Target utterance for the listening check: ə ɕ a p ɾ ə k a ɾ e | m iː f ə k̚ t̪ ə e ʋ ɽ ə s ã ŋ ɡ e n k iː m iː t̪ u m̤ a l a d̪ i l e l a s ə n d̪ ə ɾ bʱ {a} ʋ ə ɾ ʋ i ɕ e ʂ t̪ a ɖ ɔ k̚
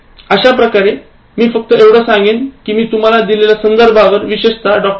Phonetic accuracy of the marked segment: correct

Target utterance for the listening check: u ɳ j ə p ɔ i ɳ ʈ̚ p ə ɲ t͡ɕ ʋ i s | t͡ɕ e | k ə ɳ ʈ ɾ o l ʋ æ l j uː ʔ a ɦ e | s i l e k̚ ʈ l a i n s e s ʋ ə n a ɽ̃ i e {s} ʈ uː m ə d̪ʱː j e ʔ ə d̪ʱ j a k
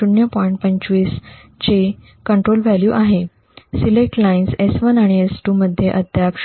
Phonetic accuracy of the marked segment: correct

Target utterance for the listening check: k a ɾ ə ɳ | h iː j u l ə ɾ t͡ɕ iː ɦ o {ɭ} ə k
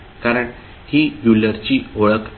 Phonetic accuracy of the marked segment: correct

